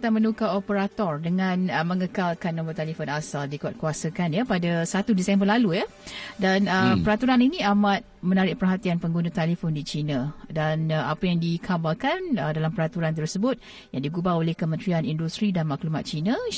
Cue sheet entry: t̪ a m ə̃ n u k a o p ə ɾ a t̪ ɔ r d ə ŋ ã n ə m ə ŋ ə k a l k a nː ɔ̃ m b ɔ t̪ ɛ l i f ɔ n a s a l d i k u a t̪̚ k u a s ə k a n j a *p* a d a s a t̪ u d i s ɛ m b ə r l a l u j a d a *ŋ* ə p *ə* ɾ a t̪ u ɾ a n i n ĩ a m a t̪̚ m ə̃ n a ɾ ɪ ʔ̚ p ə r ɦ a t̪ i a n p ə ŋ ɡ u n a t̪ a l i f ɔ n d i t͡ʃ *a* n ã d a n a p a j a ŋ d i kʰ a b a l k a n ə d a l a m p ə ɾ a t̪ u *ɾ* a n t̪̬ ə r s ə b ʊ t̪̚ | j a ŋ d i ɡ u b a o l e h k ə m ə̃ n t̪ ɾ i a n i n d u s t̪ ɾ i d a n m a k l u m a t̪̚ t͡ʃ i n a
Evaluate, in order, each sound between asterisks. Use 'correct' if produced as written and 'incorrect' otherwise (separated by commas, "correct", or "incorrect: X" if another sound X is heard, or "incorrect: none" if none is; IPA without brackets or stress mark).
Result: correct, incorrect: n, correct, incorrect: i, correct